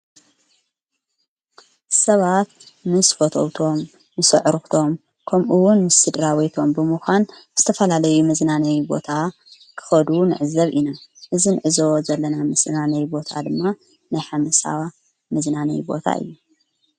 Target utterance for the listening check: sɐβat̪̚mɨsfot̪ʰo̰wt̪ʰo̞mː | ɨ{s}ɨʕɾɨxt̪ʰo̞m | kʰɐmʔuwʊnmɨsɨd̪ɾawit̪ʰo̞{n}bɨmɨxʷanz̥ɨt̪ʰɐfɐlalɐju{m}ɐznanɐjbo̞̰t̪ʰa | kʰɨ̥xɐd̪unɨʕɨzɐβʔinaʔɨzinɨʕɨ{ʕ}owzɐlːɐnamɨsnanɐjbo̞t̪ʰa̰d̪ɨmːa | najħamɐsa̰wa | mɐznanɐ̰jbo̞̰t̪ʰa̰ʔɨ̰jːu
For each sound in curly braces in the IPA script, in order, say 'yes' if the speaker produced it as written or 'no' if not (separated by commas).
yes, no, yes, no